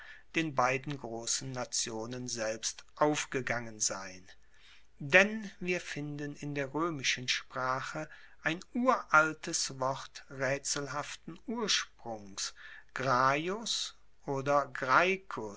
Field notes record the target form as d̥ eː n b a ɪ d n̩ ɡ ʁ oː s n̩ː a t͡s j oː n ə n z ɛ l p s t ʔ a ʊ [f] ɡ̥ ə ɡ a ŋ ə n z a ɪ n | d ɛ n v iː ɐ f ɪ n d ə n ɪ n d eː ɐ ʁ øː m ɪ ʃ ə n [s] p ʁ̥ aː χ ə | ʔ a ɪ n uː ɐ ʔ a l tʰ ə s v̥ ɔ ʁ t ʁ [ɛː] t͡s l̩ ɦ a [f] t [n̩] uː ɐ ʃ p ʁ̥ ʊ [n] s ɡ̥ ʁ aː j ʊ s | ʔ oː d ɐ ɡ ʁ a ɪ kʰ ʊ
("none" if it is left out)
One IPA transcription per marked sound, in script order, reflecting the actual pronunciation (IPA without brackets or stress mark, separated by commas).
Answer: f, ʃ, ɛː, f, n̩, ŋ